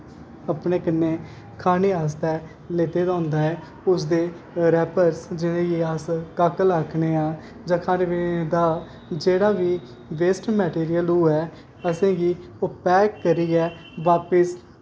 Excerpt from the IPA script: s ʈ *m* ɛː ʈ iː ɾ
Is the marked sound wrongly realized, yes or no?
no